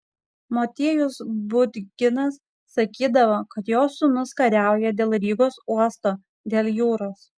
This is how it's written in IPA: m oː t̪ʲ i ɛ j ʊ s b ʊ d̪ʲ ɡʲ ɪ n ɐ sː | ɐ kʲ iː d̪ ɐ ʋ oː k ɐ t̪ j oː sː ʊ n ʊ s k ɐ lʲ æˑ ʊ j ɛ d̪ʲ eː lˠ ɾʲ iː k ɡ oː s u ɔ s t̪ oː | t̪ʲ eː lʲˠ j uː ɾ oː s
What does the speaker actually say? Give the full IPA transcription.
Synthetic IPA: m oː t̪ʲ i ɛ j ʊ s b ʊ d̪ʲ ɡʲ ɪ n ɐ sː | ɐ kʲ iː d̪ ɐ ʋ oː k ɐ t̪ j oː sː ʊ n ʊ s k ɐ ɾʲ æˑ ʊ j ɛ d̪ʲ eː lˠ ɾʲ iː ɡ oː s u ɔ s t̪ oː | d̪ʲ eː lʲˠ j uː ɾ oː s